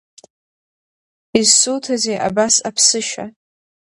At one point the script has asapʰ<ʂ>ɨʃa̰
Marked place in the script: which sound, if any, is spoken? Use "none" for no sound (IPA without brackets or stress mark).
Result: s